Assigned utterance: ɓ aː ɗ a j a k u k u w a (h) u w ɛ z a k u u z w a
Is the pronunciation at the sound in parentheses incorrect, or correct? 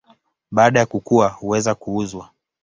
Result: correct